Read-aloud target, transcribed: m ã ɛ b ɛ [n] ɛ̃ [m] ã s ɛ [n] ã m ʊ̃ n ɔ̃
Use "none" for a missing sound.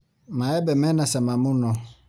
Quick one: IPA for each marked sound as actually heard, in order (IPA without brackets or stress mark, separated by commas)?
m, n, m